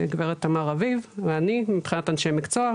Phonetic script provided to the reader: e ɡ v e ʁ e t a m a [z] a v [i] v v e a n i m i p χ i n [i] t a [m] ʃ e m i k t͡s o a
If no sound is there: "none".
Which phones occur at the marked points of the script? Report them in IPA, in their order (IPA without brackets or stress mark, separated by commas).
ʁ, i, a, n